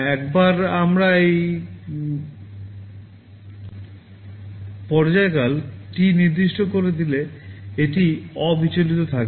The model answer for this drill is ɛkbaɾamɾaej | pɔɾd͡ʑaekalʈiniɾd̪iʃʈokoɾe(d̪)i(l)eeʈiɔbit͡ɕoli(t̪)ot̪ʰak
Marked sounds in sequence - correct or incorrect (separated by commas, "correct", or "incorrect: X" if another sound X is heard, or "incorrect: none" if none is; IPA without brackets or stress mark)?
correct, correct, correct